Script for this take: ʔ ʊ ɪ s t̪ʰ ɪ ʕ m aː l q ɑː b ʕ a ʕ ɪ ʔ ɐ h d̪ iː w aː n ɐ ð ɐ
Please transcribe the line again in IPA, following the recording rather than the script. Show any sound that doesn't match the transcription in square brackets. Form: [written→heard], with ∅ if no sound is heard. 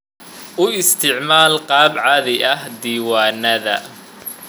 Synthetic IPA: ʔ ʊ ɪ s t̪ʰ ɪ ʕ m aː l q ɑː b ʕ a [ʕ→ð] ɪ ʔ ɐ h d̪ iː w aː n ɐ ð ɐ